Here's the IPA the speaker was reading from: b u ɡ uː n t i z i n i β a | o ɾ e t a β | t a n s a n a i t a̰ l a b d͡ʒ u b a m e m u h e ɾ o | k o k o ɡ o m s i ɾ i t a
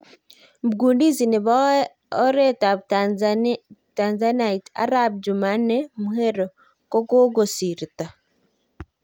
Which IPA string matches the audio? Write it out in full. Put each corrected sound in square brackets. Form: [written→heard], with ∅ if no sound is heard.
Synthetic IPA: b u ɡ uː n [t→d] i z i n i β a | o ɾ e t a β | t a n [s→z] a n a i t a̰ [l→ɾ] a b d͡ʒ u [b→m] a [m→n] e m u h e ɾ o | k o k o ɡ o [m→∅] s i ɾ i t a

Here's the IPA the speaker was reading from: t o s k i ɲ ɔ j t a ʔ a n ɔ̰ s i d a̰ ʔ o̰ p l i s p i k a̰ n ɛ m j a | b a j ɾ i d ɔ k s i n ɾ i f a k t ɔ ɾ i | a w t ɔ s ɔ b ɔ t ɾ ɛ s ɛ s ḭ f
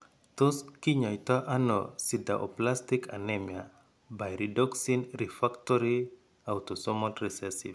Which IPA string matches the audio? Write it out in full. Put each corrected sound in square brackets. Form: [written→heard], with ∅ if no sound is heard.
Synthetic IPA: t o s k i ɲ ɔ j t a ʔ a n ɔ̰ s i d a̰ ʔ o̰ p l [i→a] s [p→t] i k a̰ n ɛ m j a | b a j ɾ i d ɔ k s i n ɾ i f a k t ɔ ɾ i | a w t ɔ s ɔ [b→m] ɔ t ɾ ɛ s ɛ s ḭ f

